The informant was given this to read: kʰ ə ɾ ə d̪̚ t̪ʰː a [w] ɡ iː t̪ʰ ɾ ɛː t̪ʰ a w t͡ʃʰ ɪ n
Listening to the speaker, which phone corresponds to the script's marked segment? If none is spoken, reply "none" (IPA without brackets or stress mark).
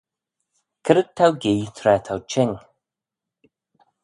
w